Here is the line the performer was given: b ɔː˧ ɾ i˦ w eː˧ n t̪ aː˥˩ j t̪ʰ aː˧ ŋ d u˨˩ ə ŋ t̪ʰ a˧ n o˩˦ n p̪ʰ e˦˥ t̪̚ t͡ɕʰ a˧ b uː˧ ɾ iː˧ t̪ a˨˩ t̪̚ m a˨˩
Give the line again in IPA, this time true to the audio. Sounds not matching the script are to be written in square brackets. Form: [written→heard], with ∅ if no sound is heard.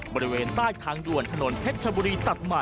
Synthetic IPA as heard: b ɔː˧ ɾ i˦ w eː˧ n t̪ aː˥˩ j t̪ʰ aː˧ ŋ d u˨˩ ə [ŋ→n] t̪ʰ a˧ n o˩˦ n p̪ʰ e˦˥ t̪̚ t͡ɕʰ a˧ b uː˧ ɾ iː˧ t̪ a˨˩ t̪̚ m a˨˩